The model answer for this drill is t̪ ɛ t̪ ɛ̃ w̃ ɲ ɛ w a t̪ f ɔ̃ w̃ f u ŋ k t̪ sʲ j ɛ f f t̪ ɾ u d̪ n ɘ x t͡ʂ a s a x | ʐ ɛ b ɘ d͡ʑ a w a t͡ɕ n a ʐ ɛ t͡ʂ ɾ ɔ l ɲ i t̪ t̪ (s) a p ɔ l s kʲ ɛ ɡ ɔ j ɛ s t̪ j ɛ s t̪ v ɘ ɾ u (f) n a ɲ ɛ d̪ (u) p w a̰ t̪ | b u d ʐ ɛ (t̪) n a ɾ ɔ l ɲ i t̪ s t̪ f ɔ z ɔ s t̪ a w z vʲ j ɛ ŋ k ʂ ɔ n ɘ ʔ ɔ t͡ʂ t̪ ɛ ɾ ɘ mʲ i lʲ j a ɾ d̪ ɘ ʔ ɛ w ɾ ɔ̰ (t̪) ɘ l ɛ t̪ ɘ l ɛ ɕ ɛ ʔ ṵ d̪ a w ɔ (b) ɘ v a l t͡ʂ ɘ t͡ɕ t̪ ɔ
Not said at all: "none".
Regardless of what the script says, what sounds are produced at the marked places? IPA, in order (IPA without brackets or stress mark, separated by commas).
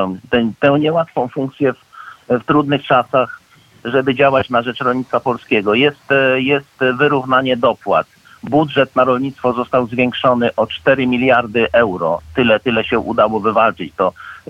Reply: f, v, ɔ, t̪, t̪, v